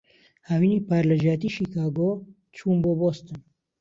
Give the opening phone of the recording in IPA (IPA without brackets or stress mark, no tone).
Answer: h